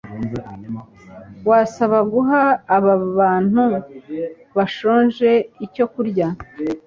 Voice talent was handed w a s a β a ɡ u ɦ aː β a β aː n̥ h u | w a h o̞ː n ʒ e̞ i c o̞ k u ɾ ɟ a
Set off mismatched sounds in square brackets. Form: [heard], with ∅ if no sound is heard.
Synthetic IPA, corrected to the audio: w a s a β a ɡ u ɦ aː β a β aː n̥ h u | [β] a [ʃ] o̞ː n ʒ e̞ i c o̞ k u ɾ ɟ a